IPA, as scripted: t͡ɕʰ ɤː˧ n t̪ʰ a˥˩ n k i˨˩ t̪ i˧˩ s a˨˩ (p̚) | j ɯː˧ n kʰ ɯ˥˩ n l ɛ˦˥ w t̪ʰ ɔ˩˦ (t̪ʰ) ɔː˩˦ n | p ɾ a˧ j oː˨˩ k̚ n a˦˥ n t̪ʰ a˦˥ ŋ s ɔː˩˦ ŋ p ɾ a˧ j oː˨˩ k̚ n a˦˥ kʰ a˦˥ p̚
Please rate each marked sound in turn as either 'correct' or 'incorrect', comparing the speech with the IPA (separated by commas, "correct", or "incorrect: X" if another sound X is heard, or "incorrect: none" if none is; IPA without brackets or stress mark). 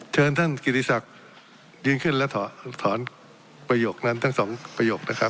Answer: incorrect: k̚, correct